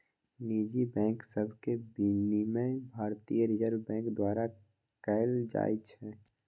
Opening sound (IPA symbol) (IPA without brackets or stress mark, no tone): n